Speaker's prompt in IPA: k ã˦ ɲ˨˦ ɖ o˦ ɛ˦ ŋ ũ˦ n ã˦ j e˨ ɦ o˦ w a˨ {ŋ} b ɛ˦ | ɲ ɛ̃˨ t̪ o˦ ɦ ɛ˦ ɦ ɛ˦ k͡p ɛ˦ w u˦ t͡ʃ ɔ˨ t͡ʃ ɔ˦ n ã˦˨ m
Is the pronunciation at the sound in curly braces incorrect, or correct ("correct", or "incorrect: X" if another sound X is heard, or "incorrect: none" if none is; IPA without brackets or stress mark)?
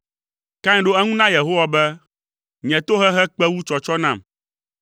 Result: incorrect: none